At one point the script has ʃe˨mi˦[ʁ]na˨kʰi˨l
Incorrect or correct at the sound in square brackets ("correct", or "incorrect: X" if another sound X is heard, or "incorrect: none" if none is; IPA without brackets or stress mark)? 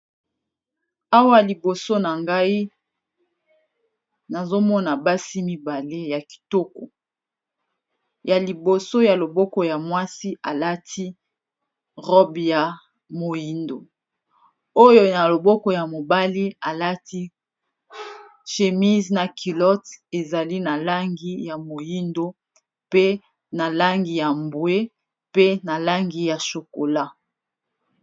incorrect: z